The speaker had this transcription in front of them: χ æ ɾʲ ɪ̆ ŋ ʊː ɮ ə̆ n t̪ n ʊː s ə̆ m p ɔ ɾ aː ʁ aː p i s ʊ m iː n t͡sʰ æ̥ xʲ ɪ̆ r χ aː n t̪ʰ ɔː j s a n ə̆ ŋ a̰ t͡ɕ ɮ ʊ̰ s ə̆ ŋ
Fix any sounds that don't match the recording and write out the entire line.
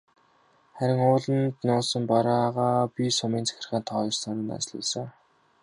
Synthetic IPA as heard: χ æ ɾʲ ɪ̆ ŋ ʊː ɮ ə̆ n t̪ n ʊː s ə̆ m p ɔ ɾ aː ʁ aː p i s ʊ m iː n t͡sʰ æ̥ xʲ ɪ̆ r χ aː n t̪ʰ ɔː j s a n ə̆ n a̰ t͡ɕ ɮ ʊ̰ s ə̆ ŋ